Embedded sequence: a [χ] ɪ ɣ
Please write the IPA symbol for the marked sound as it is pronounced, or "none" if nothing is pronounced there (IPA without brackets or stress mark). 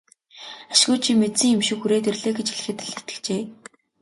ʃ